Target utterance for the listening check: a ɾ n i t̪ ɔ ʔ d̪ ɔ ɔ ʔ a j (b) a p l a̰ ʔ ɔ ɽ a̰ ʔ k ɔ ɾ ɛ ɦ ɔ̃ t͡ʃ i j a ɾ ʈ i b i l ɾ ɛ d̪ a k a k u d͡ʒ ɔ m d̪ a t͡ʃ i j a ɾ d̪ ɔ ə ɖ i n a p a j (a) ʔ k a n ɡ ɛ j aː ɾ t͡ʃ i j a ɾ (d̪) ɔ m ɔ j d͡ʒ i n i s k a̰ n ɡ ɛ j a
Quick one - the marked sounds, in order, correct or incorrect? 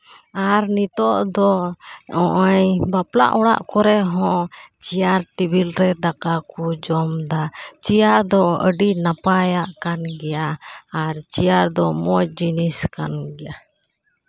correct, correct, correct

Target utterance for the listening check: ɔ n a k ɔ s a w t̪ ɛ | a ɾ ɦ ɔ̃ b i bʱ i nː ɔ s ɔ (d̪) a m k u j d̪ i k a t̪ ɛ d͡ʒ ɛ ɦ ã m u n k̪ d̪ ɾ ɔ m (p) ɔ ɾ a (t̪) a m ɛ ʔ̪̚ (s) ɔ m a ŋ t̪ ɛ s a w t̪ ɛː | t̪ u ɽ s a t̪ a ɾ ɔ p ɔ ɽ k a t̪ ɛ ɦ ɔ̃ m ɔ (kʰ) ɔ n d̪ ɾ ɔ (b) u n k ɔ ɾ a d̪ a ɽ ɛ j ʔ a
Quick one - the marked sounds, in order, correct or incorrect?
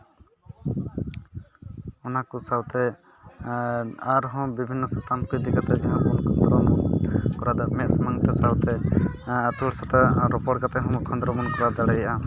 incorrect, incorrect, incorrect, correct, correct, incorrect

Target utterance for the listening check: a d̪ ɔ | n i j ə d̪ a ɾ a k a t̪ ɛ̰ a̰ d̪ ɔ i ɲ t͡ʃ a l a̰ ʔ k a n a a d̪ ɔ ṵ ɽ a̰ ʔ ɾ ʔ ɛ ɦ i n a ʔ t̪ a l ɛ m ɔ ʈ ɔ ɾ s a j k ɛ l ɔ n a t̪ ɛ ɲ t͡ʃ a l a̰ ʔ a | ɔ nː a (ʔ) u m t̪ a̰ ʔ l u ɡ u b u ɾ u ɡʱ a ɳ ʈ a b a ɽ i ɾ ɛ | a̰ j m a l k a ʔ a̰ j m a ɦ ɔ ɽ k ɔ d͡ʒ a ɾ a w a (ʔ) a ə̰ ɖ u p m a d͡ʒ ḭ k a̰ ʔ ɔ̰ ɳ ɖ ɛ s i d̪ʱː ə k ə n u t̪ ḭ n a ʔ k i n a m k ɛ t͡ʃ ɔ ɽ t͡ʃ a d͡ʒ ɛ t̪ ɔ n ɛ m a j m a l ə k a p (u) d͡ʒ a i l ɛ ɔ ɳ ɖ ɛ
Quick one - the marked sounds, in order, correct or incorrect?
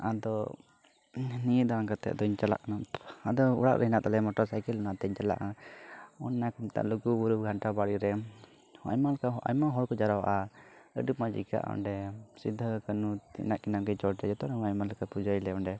incorrect, correct, correct

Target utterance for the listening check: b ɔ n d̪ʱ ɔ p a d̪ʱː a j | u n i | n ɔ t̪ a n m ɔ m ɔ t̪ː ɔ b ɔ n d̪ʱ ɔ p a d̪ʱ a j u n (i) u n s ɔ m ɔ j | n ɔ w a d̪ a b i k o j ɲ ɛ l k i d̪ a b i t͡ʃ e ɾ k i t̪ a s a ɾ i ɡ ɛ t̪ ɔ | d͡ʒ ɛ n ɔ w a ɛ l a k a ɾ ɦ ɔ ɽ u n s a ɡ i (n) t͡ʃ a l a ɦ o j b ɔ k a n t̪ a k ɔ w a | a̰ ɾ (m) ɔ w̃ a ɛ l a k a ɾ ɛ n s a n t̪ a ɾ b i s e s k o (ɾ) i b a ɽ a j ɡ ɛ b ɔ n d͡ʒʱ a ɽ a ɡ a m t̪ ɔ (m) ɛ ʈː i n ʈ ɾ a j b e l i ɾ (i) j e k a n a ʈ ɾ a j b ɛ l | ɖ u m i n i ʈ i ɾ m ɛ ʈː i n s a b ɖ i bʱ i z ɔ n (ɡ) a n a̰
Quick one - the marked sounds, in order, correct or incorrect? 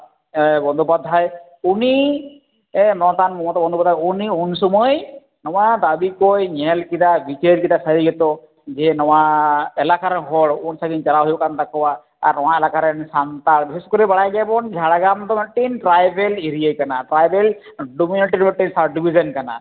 correct, correct, incorrect, correct, correct, correct, incorrect

